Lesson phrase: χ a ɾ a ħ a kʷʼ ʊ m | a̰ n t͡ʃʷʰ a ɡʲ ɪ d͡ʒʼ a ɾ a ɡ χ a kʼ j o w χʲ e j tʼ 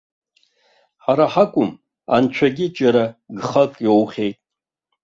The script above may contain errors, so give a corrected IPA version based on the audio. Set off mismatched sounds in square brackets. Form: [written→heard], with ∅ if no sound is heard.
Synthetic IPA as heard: [χ→ħ] a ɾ a ħ a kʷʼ ʊ m | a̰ n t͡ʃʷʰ a ɡʲ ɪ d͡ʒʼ a ɾ a ɡ χ a kʼ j o w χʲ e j tʼ